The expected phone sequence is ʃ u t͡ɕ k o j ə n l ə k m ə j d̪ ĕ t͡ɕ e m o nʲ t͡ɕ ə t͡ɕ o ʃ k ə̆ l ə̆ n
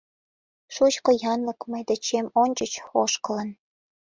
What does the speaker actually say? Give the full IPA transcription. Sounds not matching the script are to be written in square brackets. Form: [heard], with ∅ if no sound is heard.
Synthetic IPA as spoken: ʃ u t͡ɕ k o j [ɑ] n l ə k m ə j d̪ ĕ t͡ɕ e m o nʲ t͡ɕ ə t͡ɕ o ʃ k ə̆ l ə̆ n